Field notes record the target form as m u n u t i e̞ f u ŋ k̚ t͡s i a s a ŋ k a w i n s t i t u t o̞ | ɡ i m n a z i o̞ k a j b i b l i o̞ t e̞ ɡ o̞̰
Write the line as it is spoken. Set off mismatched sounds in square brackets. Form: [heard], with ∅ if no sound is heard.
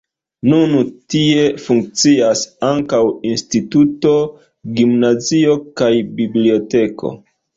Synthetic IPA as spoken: [n] u n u t i e̞ f u ŋ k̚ t͡s i a s a ŋ k a w i n s t i t u t o̞ | ɡ i m n a z i o̞ k a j b i b l i o̞ t e̞ [k] o̞̰